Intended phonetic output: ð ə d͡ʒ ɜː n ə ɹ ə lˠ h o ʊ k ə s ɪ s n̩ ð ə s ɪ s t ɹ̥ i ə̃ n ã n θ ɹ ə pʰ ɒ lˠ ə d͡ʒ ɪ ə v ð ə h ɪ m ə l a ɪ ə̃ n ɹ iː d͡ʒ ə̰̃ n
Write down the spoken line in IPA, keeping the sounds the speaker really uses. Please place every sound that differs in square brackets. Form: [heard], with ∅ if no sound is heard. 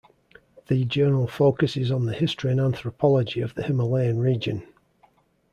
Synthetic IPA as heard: ð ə d͡ʒ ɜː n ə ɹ ə lˠ [f] o ʊ k ə s ɪ [z] n̩ ð ə [h] ɪ s t ɹ̥ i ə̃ n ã n θ ɹ ə pʰ ɒ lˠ ə d͡ʒ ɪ ə v ð ə h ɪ m ə l [e] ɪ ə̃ n ɹ iː d͡ʒ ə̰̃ n